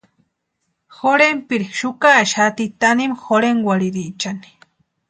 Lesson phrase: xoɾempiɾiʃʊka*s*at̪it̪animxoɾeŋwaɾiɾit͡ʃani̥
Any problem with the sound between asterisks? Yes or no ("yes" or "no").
yes